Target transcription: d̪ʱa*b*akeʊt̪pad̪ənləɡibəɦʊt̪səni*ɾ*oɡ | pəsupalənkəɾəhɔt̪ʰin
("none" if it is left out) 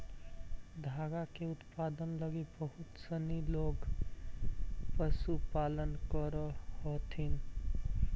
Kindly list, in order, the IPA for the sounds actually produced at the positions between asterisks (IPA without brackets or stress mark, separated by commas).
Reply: ɡ, l